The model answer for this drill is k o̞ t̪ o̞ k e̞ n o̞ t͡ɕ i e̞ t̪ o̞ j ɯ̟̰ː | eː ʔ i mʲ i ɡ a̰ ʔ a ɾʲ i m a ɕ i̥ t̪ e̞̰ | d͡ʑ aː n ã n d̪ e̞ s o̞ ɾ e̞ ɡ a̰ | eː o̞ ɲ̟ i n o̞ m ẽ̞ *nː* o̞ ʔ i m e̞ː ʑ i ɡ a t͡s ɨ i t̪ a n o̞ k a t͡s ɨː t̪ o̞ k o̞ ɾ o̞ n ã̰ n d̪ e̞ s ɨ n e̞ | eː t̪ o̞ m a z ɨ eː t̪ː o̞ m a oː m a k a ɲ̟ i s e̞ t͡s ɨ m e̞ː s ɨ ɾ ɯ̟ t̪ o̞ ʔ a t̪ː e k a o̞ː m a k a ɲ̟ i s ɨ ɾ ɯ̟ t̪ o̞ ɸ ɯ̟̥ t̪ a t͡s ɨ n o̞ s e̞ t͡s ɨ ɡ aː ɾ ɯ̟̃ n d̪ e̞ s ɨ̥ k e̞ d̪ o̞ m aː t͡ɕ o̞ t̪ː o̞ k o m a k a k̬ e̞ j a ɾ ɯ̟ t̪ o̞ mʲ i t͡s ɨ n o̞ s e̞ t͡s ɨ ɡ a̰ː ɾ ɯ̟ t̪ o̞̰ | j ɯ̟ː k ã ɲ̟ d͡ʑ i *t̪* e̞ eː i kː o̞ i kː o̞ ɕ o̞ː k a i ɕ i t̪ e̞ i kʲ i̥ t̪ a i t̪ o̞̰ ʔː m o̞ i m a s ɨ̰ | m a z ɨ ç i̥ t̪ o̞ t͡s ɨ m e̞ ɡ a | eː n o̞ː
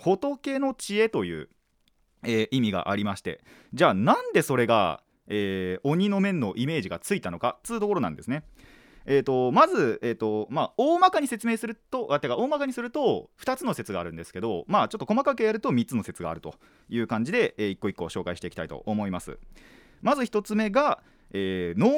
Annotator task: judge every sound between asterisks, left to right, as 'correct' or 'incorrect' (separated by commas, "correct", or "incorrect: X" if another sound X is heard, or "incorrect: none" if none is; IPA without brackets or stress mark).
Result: correct, incorrect: d̪